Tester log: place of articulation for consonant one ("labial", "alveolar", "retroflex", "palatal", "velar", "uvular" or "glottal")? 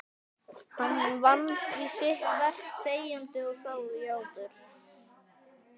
glottal